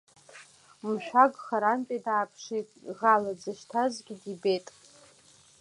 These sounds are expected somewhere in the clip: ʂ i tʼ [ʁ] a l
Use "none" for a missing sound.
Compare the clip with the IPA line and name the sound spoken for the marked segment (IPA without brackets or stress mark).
ʁ